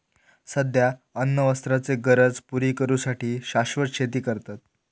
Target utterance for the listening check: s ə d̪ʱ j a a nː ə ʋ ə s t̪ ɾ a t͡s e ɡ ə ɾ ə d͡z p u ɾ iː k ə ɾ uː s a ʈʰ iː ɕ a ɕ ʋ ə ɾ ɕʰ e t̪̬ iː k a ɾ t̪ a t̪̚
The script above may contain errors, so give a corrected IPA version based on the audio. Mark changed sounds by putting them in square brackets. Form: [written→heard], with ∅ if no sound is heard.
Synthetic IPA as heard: s ə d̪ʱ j a [a→ə] nː ə ʋ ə s t̪ ɾ a t͡s e ɡ ə ɾ ə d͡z p u ɾ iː k ə ɾ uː s a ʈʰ iː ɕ a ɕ ʋ ə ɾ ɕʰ e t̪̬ iː k [a→ə] ɾ t̪ a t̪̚